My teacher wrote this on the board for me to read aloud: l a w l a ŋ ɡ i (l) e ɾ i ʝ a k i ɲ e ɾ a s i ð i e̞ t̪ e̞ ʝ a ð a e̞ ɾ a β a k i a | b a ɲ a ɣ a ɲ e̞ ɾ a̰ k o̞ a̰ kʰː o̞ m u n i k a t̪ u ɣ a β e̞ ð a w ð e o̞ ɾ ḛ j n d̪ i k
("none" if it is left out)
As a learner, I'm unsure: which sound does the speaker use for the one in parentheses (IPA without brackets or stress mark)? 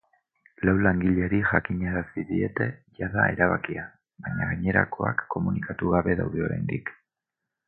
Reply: ʎ